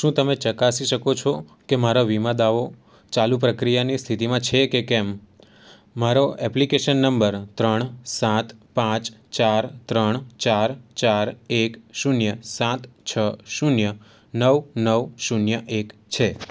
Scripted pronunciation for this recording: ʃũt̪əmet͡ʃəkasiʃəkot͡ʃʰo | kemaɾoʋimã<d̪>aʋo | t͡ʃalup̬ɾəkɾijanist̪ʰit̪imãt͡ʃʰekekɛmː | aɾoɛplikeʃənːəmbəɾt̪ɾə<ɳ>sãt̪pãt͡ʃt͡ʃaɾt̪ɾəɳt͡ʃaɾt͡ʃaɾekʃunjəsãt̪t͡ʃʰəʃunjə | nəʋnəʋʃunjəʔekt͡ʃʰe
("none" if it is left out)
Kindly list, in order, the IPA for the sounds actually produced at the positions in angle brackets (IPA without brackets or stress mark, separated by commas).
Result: d̪, ɳ